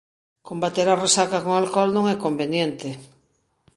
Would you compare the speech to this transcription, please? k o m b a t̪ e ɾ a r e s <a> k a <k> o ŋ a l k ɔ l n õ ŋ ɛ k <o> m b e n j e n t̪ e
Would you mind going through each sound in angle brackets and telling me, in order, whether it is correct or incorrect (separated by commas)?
correct, correct, correct